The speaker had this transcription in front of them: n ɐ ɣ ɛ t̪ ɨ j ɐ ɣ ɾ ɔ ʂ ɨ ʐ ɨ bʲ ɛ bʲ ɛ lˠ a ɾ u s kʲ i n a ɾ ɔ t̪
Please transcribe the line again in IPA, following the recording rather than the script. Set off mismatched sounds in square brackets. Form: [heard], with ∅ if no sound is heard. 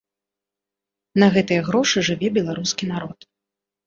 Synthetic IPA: n ɐ ɣ ɛ t̪ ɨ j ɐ ɣ ɾ ɔ ʂ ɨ ʐ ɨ [vʲ] ɛ bʲ ɛ lˠ a ɾ u s kʲ i n a ɾ ɔ t̪